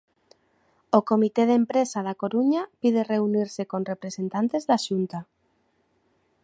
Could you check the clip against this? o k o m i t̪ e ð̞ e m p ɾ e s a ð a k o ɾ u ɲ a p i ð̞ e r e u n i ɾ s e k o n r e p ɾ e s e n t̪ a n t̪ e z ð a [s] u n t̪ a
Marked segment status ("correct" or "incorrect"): incorrect